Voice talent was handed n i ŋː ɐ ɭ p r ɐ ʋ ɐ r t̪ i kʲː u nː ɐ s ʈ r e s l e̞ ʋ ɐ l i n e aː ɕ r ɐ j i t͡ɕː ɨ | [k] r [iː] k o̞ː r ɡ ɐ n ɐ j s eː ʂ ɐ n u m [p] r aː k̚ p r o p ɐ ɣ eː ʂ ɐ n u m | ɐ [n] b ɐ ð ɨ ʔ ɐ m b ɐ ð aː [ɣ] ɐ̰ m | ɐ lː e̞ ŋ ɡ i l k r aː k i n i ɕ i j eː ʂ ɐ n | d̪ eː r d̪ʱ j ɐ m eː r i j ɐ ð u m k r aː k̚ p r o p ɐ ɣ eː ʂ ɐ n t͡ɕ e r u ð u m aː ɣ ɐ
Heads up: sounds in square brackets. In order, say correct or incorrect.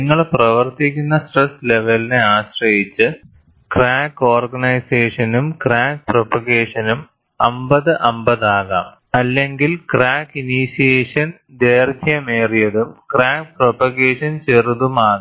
correct, incorrect: aː, incorrect: k, incorrect: m, correct

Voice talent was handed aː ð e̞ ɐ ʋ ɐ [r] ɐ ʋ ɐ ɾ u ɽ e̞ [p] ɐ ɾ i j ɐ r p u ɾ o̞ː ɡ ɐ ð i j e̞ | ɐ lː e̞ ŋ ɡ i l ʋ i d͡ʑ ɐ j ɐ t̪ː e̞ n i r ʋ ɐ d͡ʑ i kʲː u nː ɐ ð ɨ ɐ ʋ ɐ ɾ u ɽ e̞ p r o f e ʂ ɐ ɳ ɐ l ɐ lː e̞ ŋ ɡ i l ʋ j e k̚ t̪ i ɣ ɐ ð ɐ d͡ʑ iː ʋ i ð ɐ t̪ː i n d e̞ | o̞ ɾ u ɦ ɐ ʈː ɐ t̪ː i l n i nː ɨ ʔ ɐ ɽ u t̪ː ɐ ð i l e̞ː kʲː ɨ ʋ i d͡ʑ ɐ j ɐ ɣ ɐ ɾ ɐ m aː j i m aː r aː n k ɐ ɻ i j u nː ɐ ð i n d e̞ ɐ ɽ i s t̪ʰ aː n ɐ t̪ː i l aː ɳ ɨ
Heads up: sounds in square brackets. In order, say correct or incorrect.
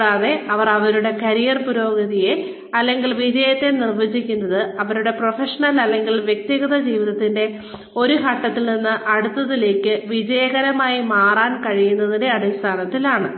correct, incorrect: k

